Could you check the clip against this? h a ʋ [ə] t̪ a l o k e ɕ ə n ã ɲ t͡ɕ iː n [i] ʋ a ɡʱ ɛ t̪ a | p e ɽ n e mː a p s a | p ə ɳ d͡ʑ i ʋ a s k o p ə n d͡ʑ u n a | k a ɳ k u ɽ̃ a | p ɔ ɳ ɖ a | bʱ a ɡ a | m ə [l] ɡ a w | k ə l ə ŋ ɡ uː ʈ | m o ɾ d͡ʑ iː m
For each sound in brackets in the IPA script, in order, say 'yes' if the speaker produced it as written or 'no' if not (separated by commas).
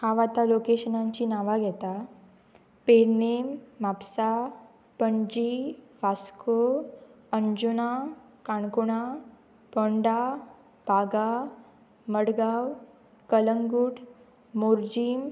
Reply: no, no, no